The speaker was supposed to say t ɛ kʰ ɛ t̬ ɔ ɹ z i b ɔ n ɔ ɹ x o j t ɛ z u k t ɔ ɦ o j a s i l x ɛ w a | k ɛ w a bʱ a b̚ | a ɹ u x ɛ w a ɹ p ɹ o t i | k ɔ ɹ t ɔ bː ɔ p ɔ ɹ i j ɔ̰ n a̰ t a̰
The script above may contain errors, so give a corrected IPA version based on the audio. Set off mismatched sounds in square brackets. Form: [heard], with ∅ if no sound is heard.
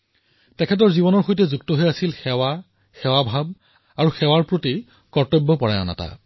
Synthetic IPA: t ɛ kʰ ɛ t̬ ɔ ɹ z i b ɔ n ɔ ɹ x o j t ɛ z u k t ɔ ɦ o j a s i l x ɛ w a | [x] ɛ w a bʱ a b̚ | a ɹ u x ɛ w a ɹ p ɹ o t i | k ɔ ɹ t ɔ bː ɔ p ɔ ɹ [a] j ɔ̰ n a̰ t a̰